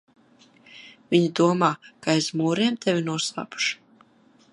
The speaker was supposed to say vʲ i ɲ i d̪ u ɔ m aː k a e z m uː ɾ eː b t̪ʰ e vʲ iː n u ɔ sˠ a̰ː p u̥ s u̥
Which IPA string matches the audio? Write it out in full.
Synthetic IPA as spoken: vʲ i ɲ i d̪ u ɔ m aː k a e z m uː ɾ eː m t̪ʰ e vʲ i n u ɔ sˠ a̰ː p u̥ ʃ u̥